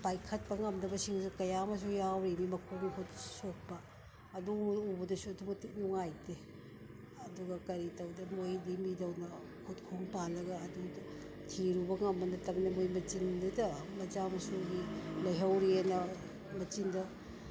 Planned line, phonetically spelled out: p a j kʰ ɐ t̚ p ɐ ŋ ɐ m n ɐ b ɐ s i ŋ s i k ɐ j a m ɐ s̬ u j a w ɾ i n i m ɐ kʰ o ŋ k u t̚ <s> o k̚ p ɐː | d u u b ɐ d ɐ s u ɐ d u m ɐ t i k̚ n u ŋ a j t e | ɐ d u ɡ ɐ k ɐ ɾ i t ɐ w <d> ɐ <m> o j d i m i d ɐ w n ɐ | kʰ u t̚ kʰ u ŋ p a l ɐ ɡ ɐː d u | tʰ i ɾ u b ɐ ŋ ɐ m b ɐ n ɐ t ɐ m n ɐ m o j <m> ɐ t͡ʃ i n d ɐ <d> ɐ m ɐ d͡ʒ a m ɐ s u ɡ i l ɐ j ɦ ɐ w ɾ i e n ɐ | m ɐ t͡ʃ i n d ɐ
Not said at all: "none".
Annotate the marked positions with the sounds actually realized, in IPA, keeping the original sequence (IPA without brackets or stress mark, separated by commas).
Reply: s, d, m, m, d